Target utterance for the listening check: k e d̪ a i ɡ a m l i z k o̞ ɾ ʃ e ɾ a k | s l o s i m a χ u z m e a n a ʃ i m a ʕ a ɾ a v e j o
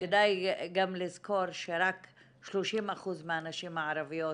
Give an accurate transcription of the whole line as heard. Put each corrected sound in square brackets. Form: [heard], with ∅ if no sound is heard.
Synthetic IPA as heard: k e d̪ a [j] ɡ a m l i z k o̞ ɾ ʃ e ɾ a k | [ʃ] l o [ʃ] i m a χ u z m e a n a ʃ i m a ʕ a ɾ a v [i] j o